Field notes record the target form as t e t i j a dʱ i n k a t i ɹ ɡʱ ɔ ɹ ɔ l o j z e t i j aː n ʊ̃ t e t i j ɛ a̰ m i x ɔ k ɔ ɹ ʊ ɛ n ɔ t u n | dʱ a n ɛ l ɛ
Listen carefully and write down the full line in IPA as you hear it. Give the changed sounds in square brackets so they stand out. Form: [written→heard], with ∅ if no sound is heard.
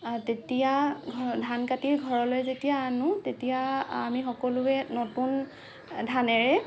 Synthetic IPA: t e t i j a dʱ [i→a] n k a t i ɹ ɡʱ ɔ ɹ ɔ l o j z e t i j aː n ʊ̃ t e t i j [ɛ→a] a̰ m i x ɔ k ɔ [ɹ→l] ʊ ɛ n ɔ t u n | dʱ a n ɛ [l→ɹ] ɛ